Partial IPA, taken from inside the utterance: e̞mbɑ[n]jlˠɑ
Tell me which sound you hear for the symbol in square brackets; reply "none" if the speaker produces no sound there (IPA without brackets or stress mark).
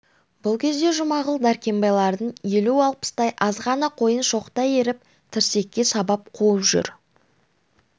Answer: none